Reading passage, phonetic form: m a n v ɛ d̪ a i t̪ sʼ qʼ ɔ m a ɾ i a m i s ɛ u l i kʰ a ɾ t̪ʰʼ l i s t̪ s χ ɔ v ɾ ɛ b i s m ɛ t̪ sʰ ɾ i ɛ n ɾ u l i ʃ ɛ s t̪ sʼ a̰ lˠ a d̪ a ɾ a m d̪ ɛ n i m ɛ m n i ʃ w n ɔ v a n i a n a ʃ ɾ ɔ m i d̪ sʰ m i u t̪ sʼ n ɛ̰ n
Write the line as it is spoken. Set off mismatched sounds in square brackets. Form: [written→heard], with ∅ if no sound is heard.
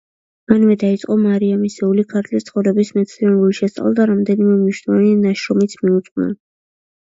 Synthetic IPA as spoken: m a n v ɛ d̪ a i t̪ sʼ qʼ ɔ m a ɾ i a m i s ɛ u l i kʰ a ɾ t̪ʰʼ l i s t̪ s χ ɔ v ɾ ɛ b i s m ɛ t̪ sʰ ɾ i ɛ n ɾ u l i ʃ ɛ s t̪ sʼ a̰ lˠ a d̪ a ɾ a m d̪ ɛ n i m ɛ m n i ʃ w n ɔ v a n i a n a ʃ ɾ ɔ m i [d̪→t̪] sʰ m i u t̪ sʼ n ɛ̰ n